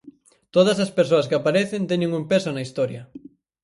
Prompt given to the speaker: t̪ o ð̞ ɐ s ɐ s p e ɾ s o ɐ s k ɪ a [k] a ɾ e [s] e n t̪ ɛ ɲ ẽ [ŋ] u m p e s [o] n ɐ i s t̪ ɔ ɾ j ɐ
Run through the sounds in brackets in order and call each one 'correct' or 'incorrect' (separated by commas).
incorrect, incorrect, correct, correct